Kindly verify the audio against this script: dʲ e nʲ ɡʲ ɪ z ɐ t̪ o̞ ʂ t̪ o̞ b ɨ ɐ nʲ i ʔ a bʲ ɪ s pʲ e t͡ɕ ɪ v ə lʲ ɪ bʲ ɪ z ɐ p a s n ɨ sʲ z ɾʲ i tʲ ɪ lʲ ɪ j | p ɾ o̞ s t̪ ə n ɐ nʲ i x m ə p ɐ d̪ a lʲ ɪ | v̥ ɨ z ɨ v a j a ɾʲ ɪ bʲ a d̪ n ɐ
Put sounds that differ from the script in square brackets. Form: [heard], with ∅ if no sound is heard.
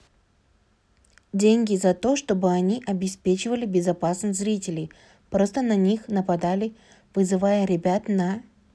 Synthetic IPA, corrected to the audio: dʲ e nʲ ɡʲ ɪ z ɐ t̪ o̞ ʂ t̪ o̞ b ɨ ɐ nʲ i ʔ [ɐ] bʲ ɪ s pʲ e t͡ɕ ɪ v ə lʲ ɪ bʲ ɪ z ɐ p a s n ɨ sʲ z ɾʲ i tʲ ɪ lʲ ɪ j | p ɾ o̞ s t̪ ə n ɐ nʲ i x [n] ə p ɐ d̪ a lʲ ɪ | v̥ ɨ z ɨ v a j [ə] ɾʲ ɪ bʲ a [t̪] n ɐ